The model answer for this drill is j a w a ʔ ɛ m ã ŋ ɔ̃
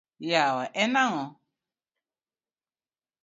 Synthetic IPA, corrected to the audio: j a w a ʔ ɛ n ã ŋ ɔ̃